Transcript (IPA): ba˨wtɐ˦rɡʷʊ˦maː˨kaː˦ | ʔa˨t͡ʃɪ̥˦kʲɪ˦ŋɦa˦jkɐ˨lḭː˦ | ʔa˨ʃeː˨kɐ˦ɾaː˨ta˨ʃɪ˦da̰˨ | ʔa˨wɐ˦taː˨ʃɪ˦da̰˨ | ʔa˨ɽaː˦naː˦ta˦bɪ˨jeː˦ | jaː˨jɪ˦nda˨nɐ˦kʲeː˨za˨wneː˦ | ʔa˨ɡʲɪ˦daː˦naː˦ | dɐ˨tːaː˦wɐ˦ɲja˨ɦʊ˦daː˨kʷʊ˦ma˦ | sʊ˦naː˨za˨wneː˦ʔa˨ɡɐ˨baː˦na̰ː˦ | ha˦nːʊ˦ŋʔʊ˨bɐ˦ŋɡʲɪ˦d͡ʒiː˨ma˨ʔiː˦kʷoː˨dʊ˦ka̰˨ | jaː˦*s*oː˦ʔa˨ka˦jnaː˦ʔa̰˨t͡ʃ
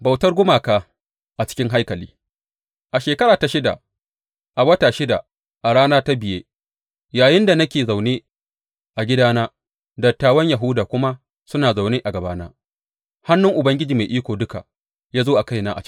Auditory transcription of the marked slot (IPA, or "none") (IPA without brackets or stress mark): z